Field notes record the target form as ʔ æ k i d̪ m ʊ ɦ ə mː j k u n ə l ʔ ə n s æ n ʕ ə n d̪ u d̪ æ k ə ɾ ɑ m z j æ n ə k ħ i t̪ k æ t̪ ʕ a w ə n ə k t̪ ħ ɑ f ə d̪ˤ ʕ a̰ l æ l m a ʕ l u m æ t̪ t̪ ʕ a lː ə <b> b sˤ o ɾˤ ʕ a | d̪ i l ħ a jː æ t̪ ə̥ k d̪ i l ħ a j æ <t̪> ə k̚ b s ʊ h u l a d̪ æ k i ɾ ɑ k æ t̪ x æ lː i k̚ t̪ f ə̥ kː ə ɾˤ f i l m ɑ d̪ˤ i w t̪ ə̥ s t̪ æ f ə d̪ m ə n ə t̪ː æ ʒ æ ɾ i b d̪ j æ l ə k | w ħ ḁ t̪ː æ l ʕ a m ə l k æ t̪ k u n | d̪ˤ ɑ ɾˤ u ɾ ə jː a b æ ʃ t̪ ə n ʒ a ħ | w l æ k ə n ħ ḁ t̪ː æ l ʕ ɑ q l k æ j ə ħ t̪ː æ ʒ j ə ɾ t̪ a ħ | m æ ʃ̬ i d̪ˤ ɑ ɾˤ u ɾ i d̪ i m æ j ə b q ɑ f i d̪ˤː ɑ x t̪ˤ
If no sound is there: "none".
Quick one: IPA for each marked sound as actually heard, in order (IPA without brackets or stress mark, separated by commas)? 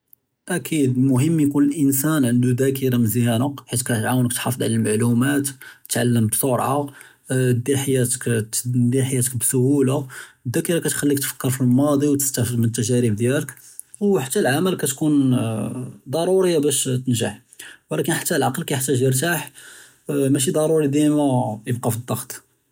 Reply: m, t̪